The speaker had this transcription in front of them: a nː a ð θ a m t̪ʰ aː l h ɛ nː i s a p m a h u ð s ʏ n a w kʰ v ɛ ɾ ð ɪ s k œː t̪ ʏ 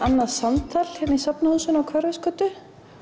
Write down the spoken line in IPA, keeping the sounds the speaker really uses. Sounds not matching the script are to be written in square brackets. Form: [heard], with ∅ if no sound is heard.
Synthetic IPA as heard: a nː a ð [s] a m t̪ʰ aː l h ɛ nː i s a p [n] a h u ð s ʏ n a w kʰ v [œ] ɾ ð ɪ s k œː t̪ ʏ